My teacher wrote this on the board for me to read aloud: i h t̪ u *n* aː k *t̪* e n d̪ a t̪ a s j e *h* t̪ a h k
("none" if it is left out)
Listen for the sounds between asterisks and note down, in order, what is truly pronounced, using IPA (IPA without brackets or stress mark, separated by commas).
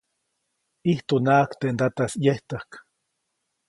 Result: n, t̪, h